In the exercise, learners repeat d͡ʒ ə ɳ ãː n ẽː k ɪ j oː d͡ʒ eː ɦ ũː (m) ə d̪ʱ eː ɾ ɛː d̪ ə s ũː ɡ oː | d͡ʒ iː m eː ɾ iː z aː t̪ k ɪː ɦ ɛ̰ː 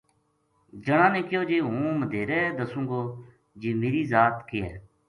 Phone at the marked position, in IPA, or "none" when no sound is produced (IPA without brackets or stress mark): m